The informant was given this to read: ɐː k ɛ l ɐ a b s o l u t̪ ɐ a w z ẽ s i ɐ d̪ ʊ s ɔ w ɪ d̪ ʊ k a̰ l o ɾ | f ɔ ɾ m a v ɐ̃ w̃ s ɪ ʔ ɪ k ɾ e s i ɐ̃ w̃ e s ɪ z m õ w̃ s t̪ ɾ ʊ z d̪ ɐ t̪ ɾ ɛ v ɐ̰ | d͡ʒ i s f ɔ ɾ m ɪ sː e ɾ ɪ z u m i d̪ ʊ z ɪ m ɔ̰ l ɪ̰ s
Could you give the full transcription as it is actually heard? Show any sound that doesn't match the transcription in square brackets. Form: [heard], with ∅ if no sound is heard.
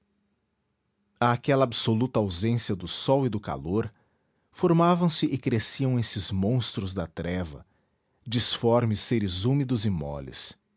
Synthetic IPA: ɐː k ɛ l ɐ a b s o l u t̪ ɐ a w z ẽ s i ɐ d̪ ʊ s ɔ w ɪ d̪ ʊ k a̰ l o ɾ | f [o] ɾ m a v ɐ̃ w̃ s ɪ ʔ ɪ k ɾ e s i ɐ̃ w̃ e s ɪ z m õ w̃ s t̪ ɾ ʊ z d̪ ɐ t̪ ɾ ɛ v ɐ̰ | d͡ʒ i s f ɔ ɾ m ɪ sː e ɾ ɪ z u m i d̪ ʊ z ɪ m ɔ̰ l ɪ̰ s